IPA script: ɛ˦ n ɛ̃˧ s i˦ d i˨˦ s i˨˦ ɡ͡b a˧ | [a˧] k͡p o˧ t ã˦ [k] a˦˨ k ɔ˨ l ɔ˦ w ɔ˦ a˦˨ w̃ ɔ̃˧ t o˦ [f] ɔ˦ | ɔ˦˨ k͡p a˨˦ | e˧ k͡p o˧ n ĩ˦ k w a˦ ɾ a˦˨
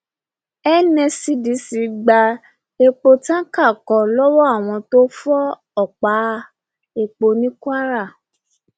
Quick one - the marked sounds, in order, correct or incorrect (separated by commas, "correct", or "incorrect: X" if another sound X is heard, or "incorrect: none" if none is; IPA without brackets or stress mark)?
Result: incorrect: e˧, correct, correct